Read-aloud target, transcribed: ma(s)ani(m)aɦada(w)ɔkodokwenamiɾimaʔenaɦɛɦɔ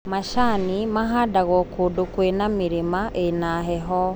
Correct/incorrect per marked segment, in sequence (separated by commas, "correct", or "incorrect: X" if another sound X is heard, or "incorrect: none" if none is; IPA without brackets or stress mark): incorrect: ʃ, correct, incorrect: ɣ